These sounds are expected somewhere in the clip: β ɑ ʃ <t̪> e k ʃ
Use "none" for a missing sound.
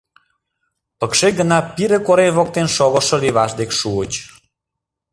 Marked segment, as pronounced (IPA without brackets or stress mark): d̪